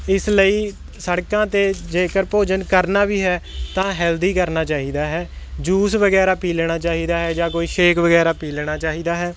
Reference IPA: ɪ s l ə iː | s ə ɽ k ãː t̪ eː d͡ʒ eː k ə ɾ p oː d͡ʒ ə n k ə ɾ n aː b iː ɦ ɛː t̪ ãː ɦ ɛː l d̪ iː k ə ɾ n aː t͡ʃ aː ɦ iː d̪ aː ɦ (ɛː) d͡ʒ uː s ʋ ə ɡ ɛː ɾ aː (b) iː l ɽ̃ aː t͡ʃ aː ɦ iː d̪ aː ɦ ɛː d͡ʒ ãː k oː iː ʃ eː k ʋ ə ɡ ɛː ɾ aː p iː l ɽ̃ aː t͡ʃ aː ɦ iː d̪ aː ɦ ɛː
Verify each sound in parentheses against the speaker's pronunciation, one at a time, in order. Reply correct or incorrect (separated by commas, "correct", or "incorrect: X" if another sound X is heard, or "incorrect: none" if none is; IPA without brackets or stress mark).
correct, incorrect: p